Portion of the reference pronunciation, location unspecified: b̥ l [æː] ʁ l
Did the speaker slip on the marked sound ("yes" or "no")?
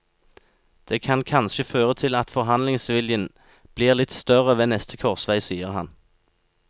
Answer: yes